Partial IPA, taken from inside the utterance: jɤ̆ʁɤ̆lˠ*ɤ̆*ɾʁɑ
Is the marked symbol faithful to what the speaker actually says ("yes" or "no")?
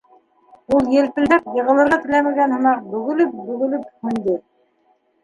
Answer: yes